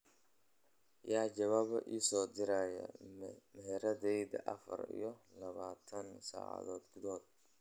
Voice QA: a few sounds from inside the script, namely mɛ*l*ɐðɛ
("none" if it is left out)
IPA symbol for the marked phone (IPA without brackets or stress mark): ɾ